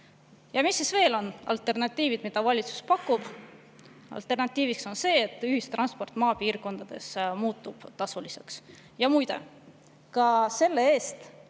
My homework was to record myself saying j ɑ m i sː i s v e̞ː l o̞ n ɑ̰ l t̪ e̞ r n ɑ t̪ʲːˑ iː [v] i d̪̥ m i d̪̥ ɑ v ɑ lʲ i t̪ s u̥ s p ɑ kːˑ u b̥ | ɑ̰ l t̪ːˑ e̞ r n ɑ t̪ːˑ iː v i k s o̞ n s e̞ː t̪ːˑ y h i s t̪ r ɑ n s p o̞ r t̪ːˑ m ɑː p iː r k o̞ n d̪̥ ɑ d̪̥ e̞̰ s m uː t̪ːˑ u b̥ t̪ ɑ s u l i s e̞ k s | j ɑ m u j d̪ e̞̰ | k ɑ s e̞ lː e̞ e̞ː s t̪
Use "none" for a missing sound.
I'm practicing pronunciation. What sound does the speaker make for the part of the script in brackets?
v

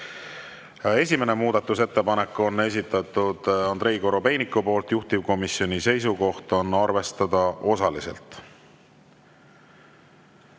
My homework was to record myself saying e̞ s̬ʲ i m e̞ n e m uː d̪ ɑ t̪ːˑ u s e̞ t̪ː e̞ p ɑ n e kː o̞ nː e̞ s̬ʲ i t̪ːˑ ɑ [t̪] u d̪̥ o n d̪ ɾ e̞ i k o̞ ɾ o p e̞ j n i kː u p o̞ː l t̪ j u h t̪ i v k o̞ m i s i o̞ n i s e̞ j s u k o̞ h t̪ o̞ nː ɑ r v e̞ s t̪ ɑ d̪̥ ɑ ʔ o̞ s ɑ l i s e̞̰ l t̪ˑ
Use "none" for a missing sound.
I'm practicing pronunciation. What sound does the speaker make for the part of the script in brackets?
t̪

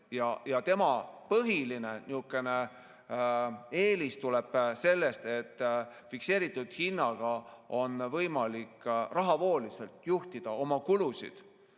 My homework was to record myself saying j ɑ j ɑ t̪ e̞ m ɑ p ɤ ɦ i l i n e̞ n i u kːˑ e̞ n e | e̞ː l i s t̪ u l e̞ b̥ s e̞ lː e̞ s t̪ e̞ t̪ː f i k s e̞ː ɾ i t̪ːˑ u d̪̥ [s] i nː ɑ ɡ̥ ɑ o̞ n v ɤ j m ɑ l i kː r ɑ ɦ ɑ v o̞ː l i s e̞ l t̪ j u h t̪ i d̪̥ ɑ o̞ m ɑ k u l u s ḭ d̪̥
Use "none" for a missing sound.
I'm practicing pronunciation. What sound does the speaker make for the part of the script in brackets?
h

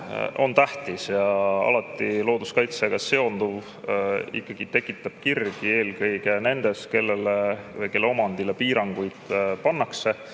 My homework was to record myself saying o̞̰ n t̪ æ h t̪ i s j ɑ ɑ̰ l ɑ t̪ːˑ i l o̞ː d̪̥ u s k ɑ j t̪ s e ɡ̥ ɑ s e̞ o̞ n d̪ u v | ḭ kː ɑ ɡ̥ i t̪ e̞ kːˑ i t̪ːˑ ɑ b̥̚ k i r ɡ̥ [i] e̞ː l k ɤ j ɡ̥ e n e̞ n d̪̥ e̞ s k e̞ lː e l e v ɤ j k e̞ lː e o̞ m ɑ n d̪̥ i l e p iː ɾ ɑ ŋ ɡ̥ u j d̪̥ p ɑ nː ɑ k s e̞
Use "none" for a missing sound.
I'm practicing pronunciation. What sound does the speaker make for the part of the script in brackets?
i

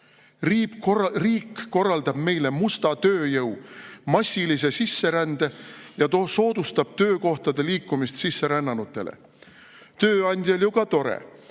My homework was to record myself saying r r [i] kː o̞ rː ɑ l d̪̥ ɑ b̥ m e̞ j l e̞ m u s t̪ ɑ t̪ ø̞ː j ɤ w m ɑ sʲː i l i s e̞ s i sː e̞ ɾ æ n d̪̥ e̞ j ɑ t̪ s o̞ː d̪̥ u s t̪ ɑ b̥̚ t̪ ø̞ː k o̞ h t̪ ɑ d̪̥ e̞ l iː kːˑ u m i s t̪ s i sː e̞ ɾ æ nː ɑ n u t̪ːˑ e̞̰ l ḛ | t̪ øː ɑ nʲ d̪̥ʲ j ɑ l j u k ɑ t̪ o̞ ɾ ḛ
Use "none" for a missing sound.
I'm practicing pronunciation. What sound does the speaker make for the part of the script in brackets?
iː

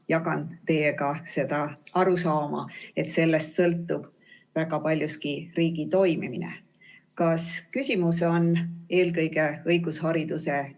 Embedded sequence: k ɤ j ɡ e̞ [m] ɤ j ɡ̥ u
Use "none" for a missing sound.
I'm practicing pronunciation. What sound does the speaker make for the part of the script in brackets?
none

